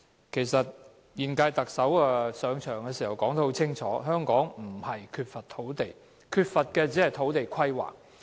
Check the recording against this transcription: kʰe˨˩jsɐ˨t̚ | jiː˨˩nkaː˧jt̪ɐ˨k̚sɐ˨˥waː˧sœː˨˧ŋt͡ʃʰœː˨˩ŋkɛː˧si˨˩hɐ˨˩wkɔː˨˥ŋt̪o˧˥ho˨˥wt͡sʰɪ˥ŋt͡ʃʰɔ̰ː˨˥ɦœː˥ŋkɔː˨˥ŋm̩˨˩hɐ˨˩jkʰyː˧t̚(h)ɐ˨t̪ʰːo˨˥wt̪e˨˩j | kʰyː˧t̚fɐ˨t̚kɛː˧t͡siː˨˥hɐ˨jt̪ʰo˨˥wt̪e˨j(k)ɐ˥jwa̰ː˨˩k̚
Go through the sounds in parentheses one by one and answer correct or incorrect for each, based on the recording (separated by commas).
incorrect, incorrect